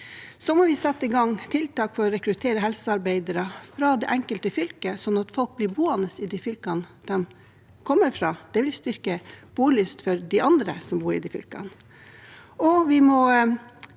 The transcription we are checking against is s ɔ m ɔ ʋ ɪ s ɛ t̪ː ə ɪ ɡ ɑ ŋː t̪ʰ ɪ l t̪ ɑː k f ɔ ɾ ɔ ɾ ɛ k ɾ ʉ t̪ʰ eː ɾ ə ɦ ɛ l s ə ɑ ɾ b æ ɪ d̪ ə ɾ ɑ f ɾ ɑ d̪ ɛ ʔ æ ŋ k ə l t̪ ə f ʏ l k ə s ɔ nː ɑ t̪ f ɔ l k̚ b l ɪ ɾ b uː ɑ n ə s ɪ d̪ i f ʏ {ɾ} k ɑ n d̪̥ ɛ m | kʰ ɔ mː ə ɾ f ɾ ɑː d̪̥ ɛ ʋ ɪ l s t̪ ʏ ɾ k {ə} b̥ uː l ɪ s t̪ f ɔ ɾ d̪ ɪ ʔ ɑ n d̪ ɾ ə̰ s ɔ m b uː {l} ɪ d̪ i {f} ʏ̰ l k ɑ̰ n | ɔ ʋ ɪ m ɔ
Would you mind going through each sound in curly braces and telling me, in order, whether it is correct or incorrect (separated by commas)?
incorrect, correct, incorrect, correct